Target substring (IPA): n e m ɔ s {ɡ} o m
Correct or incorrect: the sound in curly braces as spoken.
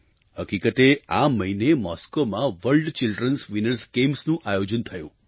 incorrect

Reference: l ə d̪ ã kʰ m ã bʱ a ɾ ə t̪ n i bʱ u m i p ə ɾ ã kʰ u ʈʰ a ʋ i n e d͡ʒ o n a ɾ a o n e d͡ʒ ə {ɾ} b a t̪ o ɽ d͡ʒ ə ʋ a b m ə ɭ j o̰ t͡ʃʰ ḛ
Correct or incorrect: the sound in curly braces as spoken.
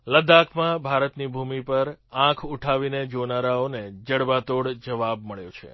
incorrect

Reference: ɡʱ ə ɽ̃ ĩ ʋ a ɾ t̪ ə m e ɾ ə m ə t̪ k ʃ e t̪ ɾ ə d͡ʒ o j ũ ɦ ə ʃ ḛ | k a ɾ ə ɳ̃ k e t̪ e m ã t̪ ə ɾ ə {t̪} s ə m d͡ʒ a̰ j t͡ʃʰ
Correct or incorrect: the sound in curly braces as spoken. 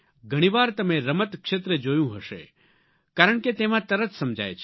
correct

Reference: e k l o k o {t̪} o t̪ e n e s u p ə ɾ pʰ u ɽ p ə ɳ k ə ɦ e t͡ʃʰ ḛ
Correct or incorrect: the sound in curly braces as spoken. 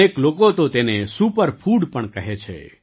correct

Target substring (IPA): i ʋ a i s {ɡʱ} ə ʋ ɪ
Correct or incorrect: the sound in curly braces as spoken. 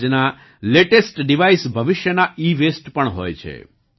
incorrect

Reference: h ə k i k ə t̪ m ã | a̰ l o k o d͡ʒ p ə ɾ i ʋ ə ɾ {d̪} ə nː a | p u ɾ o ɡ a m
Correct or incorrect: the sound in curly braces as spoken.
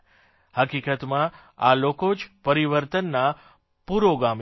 incorrect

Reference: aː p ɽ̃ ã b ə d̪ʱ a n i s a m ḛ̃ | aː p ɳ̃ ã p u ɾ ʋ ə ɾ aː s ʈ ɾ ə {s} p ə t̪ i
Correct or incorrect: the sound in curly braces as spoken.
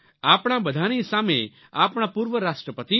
incorrect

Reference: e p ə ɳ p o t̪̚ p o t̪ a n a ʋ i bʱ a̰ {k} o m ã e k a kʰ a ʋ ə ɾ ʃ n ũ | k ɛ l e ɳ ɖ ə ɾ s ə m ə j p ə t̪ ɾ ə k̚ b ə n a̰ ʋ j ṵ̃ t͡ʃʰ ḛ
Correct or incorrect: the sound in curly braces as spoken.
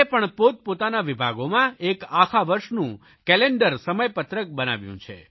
incorrect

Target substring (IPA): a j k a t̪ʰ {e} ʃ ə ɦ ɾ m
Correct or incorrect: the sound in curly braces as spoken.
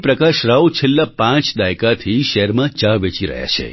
incorrect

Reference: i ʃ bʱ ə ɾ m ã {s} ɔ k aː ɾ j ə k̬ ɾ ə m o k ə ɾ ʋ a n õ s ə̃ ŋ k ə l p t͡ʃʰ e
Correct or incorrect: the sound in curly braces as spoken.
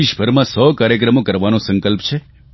correct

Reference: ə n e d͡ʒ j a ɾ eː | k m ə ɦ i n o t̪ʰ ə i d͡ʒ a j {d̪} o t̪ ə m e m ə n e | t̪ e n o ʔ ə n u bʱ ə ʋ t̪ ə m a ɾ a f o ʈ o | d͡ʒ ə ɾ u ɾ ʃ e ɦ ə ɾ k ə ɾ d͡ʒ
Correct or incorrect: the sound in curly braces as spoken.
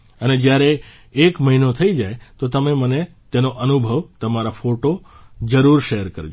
incorrect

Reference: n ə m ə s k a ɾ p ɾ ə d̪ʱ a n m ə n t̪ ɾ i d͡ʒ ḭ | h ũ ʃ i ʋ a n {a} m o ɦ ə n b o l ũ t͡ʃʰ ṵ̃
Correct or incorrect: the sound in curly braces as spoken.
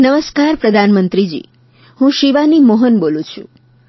incorrect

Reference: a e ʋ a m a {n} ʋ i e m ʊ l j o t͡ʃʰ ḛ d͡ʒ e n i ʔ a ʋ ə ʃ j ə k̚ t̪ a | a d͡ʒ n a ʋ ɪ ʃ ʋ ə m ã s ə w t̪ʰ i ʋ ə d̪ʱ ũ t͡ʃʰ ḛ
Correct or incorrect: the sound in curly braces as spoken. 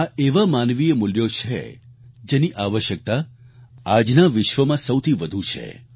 correct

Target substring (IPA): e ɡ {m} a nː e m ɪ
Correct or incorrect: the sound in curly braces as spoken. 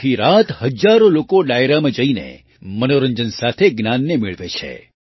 incorrect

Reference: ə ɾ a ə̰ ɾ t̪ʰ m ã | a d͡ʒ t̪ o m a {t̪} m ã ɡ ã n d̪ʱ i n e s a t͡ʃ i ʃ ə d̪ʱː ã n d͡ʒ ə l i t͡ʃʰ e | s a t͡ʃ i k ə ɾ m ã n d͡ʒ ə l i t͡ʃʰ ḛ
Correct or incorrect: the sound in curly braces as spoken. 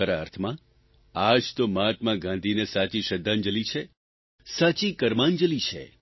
correct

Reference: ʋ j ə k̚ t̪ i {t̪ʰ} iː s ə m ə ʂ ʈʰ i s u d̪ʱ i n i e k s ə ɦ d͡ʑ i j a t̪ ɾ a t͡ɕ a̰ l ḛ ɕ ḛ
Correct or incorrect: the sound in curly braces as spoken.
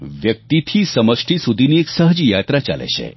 correct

